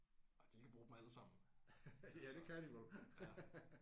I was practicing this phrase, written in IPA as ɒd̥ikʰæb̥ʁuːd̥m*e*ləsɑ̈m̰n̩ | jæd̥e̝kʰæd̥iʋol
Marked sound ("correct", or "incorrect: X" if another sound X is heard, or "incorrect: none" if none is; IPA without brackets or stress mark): incorrect: æ